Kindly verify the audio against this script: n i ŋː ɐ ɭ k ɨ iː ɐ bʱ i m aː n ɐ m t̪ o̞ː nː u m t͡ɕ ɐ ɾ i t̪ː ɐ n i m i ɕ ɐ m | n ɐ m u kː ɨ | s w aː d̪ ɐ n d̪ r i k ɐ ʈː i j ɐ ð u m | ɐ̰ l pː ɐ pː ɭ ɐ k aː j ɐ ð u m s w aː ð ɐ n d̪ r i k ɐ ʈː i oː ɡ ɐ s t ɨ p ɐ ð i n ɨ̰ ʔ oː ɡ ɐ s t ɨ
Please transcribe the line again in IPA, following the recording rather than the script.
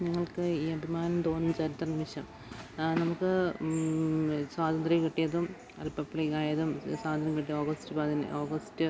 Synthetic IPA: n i ŋː ɐ ɭ k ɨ iː ɐ bʱ i m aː n ɐ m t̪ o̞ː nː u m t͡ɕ ɐ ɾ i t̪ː ɐ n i m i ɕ ɐ m | n ɐ m u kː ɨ | s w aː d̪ ɐ n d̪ r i k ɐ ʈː i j ɐ ð u m | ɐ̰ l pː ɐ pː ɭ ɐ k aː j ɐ ð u m s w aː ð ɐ n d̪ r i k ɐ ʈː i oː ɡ ɐ s t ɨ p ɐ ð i n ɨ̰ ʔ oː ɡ ɐ s t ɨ

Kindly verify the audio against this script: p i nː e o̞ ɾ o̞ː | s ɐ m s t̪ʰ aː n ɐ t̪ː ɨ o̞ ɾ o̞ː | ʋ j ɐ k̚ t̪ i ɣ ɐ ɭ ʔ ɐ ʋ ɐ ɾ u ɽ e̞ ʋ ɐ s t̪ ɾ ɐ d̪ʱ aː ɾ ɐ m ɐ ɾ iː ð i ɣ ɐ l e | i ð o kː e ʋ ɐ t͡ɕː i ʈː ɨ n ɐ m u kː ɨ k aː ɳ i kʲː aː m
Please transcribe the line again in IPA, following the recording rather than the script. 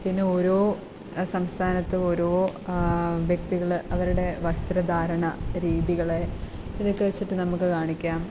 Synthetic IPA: p i nː e o̞ ɾ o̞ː | s ɐ m s t̪ʰ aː n ɐ t̪ː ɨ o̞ ɾ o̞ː | ʋ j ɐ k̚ t̪ i ɣ ɐ ɭ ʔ ɐ ʋ ɐ ɾ u ɽ e̞ ʋ ɐ s t̪ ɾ ɐ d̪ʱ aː ɾ ɐ ɳ ɐ ɾ iː ð i ɣ ɐ ɭ e | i ð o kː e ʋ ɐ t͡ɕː i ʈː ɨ n ɐ m u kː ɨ k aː ɳ i kʲː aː m

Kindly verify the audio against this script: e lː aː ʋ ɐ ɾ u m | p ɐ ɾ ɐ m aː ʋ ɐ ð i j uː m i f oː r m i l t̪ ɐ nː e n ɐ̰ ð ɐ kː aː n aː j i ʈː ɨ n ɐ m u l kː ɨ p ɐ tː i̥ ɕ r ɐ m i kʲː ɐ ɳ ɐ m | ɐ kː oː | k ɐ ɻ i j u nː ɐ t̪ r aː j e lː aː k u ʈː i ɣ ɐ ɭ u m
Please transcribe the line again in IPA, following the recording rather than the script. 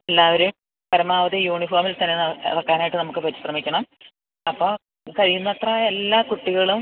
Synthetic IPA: e lː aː ʋ ɐ ɾ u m | p ɐ ɾ ɐ m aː ʋ ɐ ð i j uː ɳ i f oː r m i l t̪ ɐ nː e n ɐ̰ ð ɐ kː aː n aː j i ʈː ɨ n ɐ m u kː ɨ p ɐ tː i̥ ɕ r ɐ m i kʲː ɐ ɳ ɐ m | ɐ pː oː | k ɐ ɻ i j u nː ɐ t̪ r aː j e lː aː k u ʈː i ɣ ɐ ɭ u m

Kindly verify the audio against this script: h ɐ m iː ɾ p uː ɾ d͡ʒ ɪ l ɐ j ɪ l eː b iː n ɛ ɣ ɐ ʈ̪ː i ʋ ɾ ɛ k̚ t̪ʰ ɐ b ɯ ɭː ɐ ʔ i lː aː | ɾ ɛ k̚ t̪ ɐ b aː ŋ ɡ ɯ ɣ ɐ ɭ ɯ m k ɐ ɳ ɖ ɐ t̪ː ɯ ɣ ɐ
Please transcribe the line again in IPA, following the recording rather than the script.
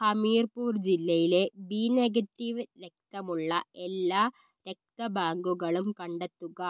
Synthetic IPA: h ɐ m iː ɾ p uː ɾ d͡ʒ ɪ lː ɐ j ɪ l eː b iː n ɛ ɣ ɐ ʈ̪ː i ʋ ɾ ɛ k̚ t̪ ɐ m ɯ ɭː ɐ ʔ ɛ lː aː | ɾ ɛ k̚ t̪ ɐ b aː ŋ ɡ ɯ ɣ ɐ ɭ ɯ m k ɐ ɳ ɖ ɐ t̪ː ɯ ɣ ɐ

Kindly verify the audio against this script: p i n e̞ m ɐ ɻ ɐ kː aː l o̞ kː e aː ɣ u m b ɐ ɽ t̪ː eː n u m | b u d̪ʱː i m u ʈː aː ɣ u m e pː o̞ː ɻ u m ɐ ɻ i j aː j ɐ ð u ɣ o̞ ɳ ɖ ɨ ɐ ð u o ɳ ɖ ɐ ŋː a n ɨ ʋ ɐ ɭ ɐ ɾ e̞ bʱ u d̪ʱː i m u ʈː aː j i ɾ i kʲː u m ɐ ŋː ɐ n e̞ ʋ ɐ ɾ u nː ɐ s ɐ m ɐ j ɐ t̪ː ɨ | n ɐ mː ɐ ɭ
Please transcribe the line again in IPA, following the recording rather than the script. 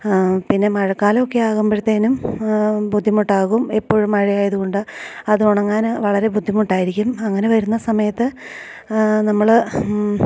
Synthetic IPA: p i nː e̞ m ɐ ɻ ɐ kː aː l o̞ kː e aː ɣ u m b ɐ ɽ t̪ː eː n u m | b u d̪ʱː i m u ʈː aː ɣ u m e pː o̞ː ɻ u m ɐ ɻ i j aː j ɐ ð u ɣ o̞ ɳ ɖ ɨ ɐ ð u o ɳ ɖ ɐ ŋː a n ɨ ʋ ɐ ɭ ɐ ɾ e̞ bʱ u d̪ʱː i m u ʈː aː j i ɾ i kʲː u m ɐ ŋː ɐ n e̞ ʋ ɐ ɾ u nː ɐ s ɐ m ɐ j ɐ t̪ː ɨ | n ɐ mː ɐ ɭ

